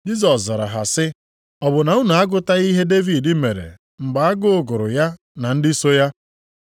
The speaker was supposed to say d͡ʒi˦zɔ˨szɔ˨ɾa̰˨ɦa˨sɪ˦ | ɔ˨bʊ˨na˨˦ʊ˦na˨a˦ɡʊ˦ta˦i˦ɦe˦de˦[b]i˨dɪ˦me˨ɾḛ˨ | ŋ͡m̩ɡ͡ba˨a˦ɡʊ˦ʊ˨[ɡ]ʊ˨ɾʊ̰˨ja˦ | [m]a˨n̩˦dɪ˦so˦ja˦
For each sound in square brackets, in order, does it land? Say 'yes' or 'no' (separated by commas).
no, yes, no